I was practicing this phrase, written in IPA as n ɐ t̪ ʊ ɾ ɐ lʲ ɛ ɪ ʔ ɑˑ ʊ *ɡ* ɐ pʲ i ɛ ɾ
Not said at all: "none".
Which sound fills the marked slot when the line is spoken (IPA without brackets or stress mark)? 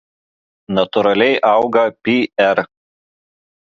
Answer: ɡ